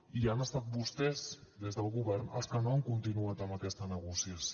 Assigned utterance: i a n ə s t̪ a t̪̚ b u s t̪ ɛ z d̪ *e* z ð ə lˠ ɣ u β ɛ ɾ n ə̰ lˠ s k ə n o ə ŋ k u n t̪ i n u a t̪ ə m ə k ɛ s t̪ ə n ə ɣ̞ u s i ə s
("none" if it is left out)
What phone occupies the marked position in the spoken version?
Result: e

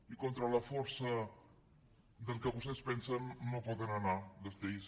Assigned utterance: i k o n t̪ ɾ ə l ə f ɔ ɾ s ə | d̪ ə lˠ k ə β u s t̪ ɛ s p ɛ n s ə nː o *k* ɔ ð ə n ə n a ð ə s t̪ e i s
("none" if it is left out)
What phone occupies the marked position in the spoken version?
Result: p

